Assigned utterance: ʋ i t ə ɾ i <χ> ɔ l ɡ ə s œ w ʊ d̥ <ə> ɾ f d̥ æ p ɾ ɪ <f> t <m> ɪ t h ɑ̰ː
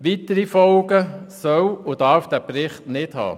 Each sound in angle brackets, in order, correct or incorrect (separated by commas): incorrect, incorrect, incorrect, incorrect